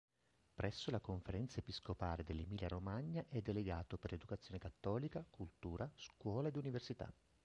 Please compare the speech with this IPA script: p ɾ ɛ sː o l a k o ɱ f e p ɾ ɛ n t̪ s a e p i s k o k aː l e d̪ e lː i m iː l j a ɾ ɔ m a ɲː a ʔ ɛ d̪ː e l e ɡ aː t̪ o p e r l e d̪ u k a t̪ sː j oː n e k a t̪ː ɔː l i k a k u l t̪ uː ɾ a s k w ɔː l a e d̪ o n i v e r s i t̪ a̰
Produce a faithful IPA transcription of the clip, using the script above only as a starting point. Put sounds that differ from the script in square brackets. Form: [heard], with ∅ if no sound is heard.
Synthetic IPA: p ɾ ɛ sː o l a k o ɱ f e [∅] ɾ ɛ n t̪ s a e p i s k o [p] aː l e d̪ e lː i m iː l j a ɾ [o] m a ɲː a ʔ ɛ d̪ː e l e ɡ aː t̪ o p e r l e d̪ u k a t̪ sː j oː n e k a t̪ː ɔː l i k a k u l t̪ uː ɾ a s k w ɔː l a e d̪ [u] n i v e r s i t̪ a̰